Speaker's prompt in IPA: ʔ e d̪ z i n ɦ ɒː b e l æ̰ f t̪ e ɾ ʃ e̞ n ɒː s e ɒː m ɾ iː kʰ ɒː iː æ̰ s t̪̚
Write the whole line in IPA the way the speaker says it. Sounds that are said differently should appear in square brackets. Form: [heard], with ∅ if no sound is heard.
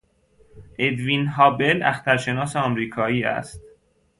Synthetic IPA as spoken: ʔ e d̪ [v] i n ɦ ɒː b e l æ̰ [x] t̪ [æ] ɾ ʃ e̞ n ɒː s e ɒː m ɾ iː kʰ ɒː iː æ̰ s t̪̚